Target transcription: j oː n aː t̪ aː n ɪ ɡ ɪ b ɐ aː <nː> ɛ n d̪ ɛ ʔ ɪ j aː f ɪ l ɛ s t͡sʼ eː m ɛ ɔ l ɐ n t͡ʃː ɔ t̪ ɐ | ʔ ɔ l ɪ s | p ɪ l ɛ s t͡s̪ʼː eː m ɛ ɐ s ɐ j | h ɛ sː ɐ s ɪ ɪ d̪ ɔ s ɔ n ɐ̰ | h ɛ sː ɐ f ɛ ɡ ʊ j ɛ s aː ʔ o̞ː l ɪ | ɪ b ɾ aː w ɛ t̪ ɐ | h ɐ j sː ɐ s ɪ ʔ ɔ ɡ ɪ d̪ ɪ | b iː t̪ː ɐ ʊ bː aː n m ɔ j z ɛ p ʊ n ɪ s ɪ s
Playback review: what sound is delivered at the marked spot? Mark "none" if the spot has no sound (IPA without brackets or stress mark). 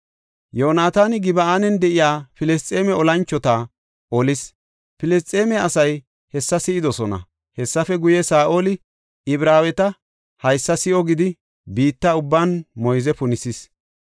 n